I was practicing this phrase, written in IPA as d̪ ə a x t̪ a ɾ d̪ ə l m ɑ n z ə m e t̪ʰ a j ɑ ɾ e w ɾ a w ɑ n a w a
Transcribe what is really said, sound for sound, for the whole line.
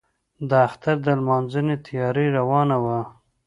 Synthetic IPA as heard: d̪ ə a x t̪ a ɾ d̪ ə l m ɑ n z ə n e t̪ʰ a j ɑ ɾ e ɾ a w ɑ n a w a